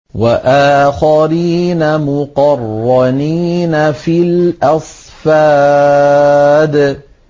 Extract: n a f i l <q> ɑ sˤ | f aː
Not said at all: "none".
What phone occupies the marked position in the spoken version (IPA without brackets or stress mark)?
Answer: ʔ